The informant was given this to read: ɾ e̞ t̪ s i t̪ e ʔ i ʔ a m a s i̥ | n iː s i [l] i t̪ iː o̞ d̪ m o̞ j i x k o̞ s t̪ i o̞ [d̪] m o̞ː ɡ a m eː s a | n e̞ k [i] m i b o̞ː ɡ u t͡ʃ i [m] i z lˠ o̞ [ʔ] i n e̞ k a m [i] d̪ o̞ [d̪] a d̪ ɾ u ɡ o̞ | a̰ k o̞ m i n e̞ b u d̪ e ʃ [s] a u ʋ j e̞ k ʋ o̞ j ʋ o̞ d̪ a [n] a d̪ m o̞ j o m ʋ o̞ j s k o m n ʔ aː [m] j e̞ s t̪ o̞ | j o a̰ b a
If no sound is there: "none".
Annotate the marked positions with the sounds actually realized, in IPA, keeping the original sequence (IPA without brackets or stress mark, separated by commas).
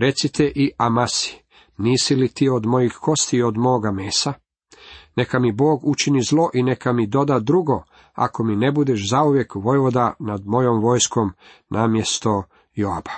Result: l, d̪, a, n, ʔ, i, d̪, z, n, m